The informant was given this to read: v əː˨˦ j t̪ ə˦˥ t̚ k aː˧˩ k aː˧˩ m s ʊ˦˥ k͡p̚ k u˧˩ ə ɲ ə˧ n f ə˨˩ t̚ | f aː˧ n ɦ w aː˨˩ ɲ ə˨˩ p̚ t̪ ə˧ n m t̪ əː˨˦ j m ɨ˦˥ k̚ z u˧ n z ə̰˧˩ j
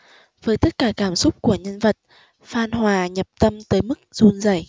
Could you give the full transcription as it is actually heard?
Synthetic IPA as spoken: v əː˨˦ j t̪ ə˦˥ t̚ k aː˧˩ k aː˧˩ m s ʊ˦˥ k͡p̚ k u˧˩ ə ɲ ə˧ n v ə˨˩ t̚ | f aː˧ n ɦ w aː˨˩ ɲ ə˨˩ p̚ t̪ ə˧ m t̪ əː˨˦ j m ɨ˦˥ k̚ z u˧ n z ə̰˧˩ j